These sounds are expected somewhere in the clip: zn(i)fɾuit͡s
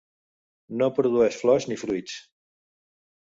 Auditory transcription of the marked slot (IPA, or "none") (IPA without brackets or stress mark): i